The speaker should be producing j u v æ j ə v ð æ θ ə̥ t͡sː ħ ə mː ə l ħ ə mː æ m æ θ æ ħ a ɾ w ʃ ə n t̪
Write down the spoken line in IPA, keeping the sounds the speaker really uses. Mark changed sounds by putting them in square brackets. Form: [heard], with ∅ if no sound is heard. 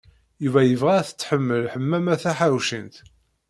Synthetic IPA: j u v æ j ə v [ʁ] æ θ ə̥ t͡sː ħ ə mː ə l ħ ə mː æ m æ θ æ ħ a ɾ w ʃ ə n t̪